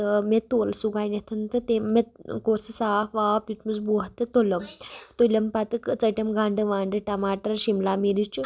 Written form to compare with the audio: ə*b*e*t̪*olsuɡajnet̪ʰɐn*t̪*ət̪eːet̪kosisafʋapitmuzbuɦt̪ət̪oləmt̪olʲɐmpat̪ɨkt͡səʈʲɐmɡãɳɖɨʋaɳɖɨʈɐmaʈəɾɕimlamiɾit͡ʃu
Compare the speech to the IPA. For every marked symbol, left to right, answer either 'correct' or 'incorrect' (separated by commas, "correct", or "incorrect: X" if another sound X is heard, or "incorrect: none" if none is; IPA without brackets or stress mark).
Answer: incorrect: m, correct, correct